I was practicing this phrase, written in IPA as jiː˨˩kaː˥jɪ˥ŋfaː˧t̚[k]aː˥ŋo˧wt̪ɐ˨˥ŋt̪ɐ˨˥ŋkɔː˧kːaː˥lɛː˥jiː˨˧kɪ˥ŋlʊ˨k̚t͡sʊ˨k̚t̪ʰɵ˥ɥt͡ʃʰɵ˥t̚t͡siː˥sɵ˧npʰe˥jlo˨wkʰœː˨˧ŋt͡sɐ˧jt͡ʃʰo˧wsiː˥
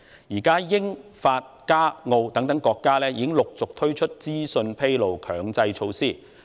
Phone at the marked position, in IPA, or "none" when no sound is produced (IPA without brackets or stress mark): k